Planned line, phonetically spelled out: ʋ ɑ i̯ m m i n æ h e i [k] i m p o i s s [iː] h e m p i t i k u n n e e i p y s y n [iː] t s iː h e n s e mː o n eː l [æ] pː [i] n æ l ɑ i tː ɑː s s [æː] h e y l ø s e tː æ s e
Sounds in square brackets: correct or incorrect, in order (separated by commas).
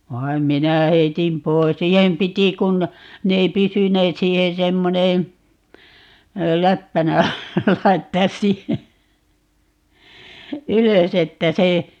incorrect, correct, incorrect, correct, incorrect, incorrect